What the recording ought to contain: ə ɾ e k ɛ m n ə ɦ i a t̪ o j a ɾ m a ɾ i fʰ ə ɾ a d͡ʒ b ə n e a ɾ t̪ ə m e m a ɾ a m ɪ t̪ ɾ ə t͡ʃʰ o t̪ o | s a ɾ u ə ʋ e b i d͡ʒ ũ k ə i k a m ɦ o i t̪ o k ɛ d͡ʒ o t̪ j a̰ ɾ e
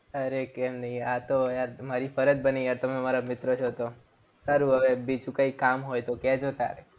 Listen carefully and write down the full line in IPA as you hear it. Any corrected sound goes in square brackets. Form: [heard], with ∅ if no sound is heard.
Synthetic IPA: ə ɾ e k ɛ m n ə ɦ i a t̪ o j a ɾ m a ɾ i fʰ ə ɾ [ə] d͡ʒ b ə n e a ɾ t̪ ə m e m a ɾ a m ɪ t̪ ɾ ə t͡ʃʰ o t̪ o | s a ɾ u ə ʋ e b i d͡ʒ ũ k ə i k a m ɦ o [j] t̪ o k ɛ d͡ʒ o t̪ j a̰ ɾ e

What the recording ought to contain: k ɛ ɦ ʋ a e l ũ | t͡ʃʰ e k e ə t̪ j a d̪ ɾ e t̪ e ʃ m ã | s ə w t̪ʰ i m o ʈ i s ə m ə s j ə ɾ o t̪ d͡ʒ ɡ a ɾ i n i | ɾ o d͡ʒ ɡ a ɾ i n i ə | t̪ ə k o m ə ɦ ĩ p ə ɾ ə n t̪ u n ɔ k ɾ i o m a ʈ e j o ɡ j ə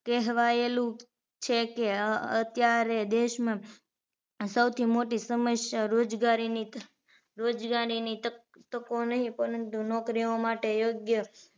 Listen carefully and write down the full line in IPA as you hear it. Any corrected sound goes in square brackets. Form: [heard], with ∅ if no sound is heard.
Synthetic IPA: k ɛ ɦ ʋ a e l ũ | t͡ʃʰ e k e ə t̪ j a [∅] ɾ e [d̪] e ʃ m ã | s ə w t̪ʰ i m o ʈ i s ə m ə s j [a] ɾ o [∅] d͡ʒ ɡ a ɾ i n i | ɾ o d͡ʒ ɡ a ɾ i n i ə | t̪ ə k o [n] ə ɦ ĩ p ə ɾ ə n t̪ u n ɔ k ɾ i o m a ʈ e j o ɡ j ə

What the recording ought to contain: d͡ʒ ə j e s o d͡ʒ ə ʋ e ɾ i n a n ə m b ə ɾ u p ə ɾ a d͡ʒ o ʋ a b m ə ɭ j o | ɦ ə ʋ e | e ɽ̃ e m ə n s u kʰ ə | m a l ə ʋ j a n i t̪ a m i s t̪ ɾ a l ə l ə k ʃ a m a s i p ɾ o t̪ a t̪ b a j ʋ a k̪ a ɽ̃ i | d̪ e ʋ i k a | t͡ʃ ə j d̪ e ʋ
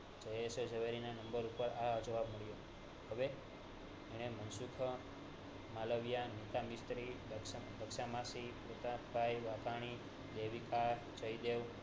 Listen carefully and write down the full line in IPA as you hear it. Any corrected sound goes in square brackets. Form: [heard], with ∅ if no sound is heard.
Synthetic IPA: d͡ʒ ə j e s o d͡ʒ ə ʋ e ɾ i n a n ə m b ə ɾ u p ə ɾ a d͡ʒ o ʋ a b m ə ɭ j o | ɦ ə ʋ e | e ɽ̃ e m ə n s u kʰ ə | m a l ə ʋ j a n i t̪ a m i s t̪ ɾ [i] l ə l ə k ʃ a m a s i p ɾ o t̪ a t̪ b a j ʋ a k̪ a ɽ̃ i | d̪ e ʋ i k a | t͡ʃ ə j d̪ e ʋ

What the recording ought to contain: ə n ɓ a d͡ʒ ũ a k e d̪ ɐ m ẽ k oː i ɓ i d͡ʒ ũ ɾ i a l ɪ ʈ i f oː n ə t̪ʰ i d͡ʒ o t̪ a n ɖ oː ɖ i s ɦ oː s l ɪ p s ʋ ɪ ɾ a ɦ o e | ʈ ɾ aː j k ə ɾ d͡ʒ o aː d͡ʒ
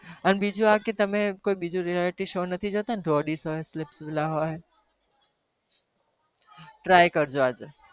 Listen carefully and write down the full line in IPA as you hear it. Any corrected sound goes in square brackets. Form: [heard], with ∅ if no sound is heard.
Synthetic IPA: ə n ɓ [i] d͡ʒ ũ a k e [t̪] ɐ m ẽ k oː i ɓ i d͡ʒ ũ ɾ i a l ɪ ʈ i [ʃ] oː n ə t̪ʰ i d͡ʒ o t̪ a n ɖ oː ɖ i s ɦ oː s l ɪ p s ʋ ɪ [l] a ɦ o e | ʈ ɾ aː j k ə ɾ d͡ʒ o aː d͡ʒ

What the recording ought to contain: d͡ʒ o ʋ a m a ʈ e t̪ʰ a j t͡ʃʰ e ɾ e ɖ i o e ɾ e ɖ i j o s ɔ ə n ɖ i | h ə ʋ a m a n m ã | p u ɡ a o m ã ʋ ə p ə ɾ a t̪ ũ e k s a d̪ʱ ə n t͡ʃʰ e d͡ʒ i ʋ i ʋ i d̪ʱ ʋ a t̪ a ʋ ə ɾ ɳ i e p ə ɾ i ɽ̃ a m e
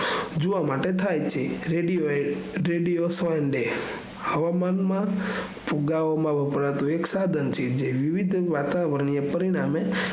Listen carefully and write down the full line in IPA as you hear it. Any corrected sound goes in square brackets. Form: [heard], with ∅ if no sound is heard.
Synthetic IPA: d͡ʒ o ʋ a m a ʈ e t̪ʰ a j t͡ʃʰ e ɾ e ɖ i o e ɾ e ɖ i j o s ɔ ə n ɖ [e] | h ə ʋ a m a n m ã | p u ɡ a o m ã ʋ ə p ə ɾ a t̪ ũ e k s a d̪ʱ ə n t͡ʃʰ e d͡ʒ [e] ʋ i ʋ i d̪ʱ ʋ a t̪ a ʋ ə ɾ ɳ i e p ə ɾ i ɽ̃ a m e

